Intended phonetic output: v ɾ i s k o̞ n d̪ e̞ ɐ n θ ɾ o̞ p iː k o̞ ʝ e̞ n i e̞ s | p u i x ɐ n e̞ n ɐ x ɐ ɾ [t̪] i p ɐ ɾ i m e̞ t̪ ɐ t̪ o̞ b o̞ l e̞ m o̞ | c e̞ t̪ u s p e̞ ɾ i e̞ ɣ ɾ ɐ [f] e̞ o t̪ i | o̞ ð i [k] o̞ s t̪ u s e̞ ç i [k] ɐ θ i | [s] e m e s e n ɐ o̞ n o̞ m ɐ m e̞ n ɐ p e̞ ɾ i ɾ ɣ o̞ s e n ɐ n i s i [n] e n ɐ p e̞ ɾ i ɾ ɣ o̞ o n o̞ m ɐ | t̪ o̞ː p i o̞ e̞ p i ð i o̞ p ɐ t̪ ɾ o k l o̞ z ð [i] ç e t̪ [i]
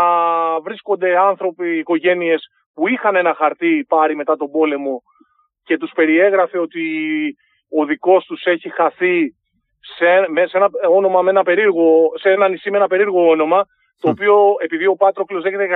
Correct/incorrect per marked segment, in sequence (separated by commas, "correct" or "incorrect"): correct, correct, correct, incorrect, correct, incorrect, incorrect, incorrect